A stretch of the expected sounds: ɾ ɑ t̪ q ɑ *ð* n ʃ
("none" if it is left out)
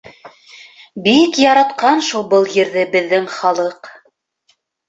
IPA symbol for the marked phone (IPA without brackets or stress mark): none